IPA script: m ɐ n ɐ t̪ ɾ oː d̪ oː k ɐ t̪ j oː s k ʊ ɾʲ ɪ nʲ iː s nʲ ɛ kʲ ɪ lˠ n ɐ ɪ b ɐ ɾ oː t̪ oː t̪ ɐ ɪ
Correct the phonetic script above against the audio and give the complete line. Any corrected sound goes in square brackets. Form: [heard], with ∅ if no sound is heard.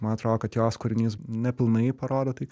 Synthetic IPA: m ɐ n ɐ t̪ ɾ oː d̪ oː k ɐ t̪ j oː s k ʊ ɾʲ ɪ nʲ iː s nʲ ɛ [pʲ] ɪ lˠ n ɐ ɪ [p] ɐ ɾ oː [d̪] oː t̪ ɐ ɪ